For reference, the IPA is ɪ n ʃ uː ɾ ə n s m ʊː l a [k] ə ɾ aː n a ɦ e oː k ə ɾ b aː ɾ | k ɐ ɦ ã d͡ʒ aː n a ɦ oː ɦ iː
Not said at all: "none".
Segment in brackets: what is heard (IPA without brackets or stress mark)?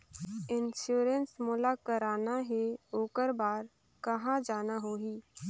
k